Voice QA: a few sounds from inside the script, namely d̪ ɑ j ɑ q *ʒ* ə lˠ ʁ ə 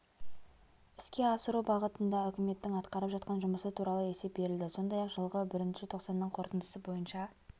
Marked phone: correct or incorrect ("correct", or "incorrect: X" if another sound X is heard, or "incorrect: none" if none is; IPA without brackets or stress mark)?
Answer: correct